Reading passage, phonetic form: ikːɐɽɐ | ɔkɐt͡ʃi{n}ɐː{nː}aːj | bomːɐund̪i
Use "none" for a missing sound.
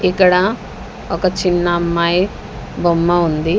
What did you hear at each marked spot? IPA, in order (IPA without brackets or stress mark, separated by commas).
nː, mː